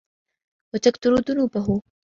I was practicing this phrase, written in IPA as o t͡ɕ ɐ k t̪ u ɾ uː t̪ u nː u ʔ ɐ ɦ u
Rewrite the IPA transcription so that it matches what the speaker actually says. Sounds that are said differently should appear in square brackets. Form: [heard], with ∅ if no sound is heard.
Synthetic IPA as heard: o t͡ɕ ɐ k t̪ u ɾ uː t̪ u [n] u [p] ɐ ɦ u